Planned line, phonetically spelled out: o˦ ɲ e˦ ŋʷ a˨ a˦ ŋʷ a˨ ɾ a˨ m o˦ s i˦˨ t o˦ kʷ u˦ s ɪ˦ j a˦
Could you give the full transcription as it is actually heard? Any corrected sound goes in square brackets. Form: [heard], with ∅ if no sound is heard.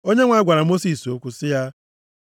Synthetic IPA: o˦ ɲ e˦ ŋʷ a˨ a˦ [ɡʷ] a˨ ɾ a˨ m o˦ s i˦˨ [s] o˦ kʷ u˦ s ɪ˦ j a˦

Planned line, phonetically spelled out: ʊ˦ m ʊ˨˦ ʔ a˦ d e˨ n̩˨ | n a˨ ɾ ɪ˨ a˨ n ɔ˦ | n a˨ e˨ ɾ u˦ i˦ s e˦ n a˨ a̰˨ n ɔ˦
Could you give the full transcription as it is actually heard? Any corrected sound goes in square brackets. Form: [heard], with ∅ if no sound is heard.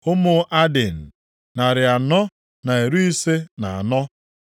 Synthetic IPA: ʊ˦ m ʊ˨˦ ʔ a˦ d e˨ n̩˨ | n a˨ ɾ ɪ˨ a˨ n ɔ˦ | n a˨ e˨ ɾ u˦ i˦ s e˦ n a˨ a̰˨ n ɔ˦

